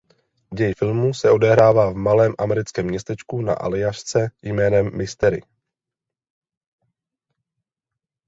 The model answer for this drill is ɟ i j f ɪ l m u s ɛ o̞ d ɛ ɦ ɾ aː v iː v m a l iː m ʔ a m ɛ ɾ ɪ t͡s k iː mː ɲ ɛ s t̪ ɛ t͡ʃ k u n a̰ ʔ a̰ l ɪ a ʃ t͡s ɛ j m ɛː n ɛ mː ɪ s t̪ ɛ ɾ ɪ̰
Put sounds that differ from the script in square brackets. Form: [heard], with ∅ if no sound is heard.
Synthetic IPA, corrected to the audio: ɟ [ɛ] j f ɪ l m u s ɛ o̞ d ɛ ɦ ɾ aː v [aː] v m a l [ɛː] m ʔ a m ɛ ɾ ɪ t͡s k [ɛː] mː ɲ ɛ s t̪ ɛ t͡ʃ k u n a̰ ʔ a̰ l ɪ a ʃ t͡s ɛ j m ɛː n ɛ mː ɪ s t̪ ɛ ɾ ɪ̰

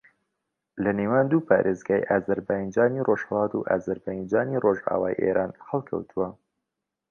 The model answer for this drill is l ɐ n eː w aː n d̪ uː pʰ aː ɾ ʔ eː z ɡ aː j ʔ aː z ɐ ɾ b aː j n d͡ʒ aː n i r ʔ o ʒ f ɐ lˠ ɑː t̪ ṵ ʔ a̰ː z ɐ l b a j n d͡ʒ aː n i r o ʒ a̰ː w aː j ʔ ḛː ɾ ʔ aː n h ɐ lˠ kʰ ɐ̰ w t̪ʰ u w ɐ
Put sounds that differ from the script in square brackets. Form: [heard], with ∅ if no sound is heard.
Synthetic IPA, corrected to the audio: l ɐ n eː w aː n d̪ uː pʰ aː ɾ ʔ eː z ɡ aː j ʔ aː z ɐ ɾ b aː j n d͡ʒ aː n i r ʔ o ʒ [h] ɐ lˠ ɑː t̪ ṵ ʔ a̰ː z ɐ [ɾ] b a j n d͡ʒ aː n i r o ʒ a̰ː w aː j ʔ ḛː ɾ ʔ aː n h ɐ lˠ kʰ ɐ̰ w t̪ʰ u w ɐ

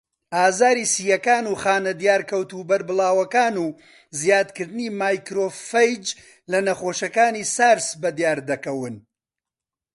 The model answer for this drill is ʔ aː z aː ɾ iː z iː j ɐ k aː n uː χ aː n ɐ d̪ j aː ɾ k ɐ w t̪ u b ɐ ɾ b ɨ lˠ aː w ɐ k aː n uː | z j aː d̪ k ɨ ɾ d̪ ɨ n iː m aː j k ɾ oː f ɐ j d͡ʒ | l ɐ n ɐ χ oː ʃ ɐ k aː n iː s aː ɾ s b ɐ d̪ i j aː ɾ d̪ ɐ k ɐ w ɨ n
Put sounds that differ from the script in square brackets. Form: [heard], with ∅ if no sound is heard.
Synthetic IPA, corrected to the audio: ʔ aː z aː ɾ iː [s] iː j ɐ k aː n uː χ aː n ɐ d̪ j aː ɾ k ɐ w t̪ u b ɐ ɾ b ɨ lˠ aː w ɐ k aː n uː | z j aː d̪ k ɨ ɾ d̪ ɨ n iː m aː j k ɾ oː f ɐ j d͡ʒ | l ɐ n ɐ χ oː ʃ ɐ k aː n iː s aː ɾ s b ɐ d̪ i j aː ɾ d̪ ɐ k ɐ w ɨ n

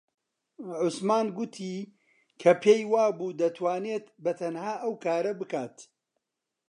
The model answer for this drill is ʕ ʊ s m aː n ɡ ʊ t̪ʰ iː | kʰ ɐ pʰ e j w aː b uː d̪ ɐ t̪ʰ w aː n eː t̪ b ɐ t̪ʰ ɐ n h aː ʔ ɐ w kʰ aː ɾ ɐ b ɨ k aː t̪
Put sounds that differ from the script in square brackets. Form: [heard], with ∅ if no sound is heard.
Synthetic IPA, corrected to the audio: ʕ ʊ s m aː n ɡ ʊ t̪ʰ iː | kʰ ɐ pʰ e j w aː b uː d̪ ɐ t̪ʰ w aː n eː t̪ b ɐ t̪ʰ ɐ n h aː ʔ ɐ w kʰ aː ɾ ɐ b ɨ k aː t̪

